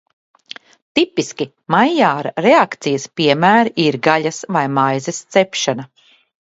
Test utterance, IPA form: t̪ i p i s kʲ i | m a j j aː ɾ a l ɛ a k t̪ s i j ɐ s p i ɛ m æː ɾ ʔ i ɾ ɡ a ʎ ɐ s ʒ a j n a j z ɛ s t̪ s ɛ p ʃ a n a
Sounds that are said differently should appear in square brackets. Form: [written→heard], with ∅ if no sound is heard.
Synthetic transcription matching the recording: t̪ i p i s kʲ i | m a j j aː ɾ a [l→ɾ] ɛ a k t̪ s i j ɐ s p i ɛ m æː ɾ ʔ i ɾ ɡ a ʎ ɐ s [ʒ→v] a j [n→m] a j z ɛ s t̪ s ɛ p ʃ a n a